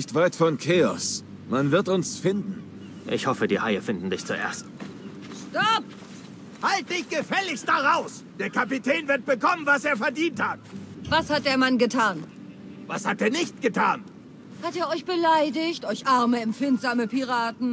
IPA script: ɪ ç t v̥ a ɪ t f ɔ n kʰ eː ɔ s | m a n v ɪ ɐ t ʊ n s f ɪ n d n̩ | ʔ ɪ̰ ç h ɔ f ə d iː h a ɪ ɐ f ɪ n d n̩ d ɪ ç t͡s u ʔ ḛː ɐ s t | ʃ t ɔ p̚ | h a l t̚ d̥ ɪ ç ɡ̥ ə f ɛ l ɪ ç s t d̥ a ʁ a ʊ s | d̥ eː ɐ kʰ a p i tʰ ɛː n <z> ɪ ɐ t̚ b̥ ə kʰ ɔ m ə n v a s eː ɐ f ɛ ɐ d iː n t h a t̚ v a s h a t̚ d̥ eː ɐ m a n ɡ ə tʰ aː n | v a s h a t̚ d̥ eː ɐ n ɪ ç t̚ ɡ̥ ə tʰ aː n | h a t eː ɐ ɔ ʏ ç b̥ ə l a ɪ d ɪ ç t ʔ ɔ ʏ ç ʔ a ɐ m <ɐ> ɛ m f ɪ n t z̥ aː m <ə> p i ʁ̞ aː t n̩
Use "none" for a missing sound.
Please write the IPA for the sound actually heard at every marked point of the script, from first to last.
v, ə, ə

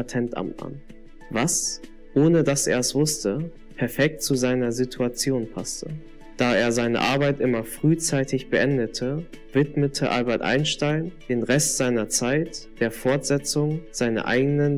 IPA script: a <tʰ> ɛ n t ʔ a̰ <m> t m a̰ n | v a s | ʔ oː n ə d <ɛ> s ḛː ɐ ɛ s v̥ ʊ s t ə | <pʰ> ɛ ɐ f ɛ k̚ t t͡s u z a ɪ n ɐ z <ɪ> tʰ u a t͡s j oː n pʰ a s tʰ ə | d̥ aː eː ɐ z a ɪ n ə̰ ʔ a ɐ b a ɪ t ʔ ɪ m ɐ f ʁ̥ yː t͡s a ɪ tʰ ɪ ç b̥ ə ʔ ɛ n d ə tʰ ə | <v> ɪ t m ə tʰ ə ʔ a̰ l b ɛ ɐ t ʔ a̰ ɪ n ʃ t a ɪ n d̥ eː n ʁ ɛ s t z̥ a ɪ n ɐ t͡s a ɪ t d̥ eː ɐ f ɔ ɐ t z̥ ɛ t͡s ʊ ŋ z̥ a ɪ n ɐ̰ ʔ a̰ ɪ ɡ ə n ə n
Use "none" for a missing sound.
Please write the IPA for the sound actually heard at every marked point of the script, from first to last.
tʰ, m, a, pʰ, i, v

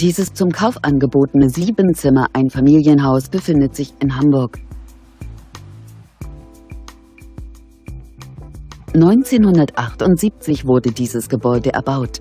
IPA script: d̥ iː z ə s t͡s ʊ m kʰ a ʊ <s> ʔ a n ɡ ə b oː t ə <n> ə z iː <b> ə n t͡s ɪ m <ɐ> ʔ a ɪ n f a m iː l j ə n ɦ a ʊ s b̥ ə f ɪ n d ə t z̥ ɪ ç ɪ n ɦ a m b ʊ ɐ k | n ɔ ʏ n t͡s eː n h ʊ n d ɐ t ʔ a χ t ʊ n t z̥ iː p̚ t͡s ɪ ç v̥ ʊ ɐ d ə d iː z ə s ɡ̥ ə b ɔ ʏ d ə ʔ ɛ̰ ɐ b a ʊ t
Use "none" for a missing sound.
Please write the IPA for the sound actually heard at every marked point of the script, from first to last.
f, n, b, ɐ

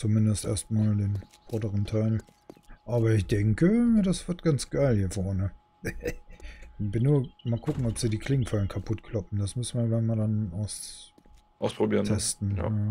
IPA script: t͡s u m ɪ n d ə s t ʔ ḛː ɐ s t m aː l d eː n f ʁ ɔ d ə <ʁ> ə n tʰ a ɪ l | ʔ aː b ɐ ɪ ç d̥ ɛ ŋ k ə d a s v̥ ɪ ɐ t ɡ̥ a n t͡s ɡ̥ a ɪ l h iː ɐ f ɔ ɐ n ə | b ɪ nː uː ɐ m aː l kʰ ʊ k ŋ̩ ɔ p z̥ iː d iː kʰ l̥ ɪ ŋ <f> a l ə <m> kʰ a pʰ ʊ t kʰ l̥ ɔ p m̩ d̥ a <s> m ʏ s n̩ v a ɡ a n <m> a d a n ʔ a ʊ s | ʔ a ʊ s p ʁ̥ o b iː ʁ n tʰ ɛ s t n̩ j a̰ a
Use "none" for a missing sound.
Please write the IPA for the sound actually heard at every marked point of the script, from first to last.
ʁ, f, n, s, m

